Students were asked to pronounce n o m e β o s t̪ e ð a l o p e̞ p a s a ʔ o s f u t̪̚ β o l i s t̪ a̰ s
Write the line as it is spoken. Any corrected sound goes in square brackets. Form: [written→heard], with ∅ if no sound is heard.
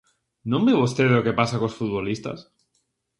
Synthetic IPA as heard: n o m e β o s t̪ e ð [a→e] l o [p→k] e̞ p a s a [ʔ→k] o s f u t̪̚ β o l i s t̪ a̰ s

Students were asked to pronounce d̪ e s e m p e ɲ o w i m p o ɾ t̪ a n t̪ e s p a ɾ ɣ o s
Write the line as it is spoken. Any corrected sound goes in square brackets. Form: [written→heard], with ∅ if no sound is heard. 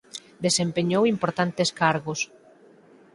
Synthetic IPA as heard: d̪ e s e m p e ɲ o w i m p o ɾ t̪ a n t̪ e s [p→k] a ɾ ɣ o s

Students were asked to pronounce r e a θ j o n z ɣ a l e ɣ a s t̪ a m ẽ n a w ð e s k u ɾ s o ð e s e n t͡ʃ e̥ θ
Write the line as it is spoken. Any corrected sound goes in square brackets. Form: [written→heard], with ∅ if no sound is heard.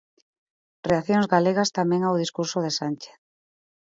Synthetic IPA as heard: r e a θ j o [n→ŋ] z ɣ a l e ɣ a s t̪ a m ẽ [n→ŋ] a w ð [e→i] s k u ɾ s o ð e s [e→a] n t͡ʃ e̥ θ

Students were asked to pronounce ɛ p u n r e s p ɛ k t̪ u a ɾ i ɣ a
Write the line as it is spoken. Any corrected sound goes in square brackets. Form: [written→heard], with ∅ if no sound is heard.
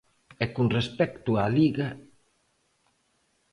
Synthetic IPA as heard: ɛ [p→k] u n r e s p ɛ k t̪ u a [ɾ→l] i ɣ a

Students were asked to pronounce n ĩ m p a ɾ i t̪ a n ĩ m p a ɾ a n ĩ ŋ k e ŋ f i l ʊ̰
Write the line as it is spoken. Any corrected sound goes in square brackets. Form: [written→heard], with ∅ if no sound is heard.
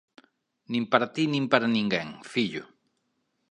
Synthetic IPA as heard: n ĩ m p a ɾ [i→a] t̪ [a→i] n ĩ m p a ɾ a n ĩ ŋ [k→ɡ] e ŋ f i [l→ʎ] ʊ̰

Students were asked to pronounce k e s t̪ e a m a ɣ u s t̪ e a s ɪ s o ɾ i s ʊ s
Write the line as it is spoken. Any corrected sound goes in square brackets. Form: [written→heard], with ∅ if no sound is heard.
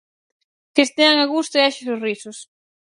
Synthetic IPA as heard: k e s t̪ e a [m→ŋ] a ɣ u s t̪ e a [s→ʃ] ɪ s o [ɾ→r] i s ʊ s

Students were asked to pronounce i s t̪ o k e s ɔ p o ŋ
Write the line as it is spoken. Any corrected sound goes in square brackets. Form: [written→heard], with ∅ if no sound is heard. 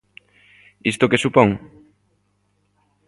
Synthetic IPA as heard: i s t̪ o k e s [ɔ→u] p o ŋ

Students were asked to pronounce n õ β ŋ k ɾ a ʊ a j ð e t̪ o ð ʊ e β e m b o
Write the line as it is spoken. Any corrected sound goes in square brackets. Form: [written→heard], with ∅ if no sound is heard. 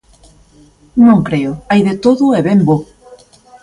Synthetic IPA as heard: n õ [β→∅] ŋ k ɾ [a→e] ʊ a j ð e t̪ o ð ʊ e β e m b o

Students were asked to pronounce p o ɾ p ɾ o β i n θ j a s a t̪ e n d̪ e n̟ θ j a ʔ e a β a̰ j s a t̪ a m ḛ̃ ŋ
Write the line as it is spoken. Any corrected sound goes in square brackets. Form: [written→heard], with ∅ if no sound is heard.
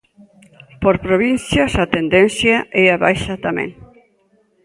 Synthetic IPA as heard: p o ɾ p ɾ o β i n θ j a s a t̪ e n d̪ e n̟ θ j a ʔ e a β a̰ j [s→ʃ] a t̪ a m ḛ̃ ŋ

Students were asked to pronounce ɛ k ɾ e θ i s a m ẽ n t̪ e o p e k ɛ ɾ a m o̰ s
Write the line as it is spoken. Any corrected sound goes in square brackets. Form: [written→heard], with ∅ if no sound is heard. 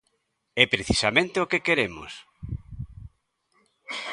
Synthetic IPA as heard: ɛ [k→p] ɾ e θ i s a m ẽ n t̪ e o [p→k] e k [ɛ→e] ɾ [a→e] m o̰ s

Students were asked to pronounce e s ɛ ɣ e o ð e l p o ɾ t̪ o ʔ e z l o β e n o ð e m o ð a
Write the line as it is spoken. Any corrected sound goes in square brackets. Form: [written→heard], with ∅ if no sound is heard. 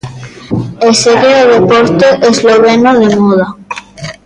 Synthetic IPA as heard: e s [ɛ→e] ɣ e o ð e [l→∅] p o ɾ t̪ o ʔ e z l o β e n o ð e m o ð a

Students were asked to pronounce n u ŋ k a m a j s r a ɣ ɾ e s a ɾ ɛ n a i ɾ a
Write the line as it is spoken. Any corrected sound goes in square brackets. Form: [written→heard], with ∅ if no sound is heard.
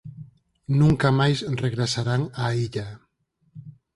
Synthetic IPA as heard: n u ŋ k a m a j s r [a→e] ɣ ɾ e s a ɾ [ɛ→a] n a i [ɾ→ʎ] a

